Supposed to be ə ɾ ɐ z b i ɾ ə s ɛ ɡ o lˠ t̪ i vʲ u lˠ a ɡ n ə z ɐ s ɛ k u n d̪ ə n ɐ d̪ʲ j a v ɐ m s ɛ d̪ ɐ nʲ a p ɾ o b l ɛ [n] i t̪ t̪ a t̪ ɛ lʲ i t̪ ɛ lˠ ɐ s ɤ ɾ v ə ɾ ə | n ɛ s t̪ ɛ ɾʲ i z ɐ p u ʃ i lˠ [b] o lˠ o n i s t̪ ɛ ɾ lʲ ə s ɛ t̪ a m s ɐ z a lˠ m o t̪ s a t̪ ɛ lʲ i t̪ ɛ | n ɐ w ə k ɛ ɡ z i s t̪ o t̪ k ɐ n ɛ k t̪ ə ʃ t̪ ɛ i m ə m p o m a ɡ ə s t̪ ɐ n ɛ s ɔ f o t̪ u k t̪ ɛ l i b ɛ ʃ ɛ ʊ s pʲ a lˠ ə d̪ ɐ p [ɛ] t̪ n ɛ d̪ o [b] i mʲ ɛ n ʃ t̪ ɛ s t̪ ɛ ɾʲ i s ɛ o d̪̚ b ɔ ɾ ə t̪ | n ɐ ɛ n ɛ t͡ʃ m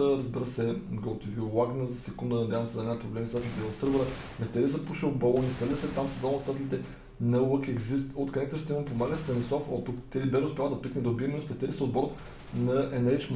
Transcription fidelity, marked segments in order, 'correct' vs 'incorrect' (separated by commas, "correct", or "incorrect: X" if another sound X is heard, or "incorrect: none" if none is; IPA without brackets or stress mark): incorrect: m, correct, incorrect: i, correct